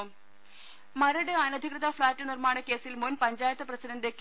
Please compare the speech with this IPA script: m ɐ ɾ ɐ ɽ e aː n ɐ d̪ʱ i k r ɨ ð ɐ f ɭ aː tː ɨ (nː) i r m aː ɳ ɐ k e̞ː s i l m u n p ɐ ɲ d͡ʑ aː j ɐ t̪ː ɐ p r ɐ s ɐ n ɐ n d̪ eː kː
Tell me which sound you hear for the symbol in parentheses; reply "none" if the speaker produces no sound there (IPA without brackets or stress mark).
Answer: n